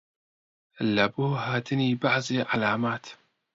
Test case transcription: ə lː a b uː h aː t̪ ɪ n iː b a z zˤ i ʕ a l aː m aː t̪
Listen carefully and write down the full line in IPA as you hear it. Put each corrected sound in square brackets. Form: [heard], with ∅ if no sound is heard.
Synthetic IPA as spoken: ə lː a b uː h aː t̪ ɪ n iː b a [ʕ] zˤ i ʕ a l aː m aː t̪